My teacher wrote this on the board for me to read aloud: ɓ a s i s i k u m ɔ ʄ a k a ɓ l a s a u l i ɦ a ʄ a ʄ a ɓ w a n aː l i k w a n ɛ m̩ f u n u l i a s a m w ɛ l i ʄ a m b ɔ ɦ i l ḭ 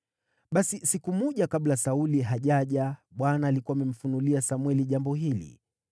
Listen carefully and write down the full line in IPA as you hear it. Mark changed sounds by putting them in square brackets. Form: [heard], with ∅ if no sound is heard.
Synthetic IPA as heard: ɓ a s i s i k u m ɔ ʄ a k a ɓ l a s a u l i ɦ a ʄ a ʄ a ɓ w a n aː l i k [u] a [m] ɛ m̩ f u n u l i a s a m w ɛ l i ʄ a m b ɔ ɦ i l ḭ